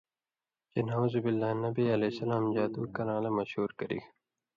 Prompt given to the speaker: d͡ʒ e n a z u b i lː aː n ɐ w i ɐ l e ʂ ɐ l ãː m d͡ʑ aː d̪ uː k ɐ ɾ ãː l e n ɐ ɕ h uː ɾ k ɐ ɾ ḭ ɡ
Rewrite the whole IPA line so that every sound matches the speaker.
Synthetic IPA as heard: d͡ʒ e n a z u b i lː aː n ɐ b i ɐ l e s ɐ l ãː m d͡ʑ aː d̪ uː k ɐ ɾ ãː l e m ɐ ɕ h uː ɾ k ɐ ɾ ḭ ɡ